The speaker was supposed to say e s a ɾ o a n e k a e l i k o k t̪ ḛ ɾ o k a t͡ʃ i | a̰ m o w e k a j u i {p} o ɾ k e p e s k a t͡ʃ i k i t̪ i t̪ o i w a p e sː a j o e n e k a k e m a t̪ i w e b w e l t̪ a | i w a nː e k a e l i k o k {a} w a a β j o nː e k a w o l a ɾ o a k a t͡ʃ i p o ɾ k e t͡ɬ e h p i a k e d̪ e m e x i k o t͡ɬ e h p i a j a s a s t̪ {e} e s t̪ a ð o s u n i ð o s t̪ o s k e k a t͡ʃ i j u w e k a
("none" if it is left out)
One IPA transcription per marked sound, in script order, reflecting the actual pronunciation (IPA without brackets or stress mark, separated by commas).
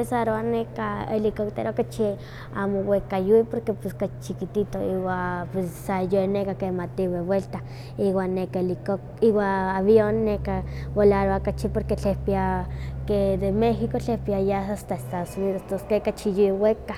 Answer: p, i, a